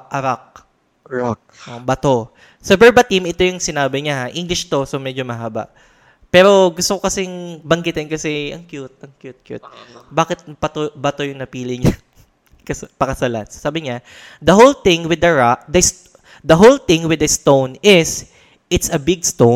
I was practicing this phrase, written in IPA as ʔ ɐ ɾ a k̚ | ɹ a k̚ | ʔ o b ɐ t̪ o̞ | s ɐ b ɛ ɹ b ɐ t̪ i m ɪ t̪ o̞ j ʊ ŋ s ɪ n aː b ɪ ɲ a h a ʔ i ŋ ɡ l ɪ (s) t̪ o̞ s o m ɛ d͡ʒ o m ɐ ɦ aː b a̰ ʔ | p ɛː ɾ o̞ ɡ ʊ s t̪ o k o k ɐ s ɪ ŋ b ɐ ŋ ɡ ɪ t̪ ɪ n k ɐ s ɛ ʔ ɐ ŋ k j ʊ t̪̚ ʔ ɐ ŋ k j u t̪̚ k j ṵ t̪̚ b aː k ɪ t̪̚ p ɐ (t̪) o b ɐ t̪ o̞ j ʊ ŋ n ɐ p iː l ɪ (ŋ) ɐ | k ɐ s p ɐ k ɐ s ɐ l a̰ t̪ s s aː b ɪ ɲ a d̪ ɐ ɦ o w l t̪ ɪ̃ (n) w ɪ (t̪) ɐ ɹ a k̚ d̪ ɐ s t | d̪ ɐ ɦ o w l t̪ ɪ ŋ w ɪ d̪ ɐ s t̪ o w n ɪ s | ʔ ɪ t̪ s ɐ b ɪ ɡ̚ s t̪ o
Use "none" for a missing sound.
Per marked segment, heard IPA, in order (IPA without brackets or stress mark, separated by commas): ʃ, t̪, ɲ, ŋ, d̪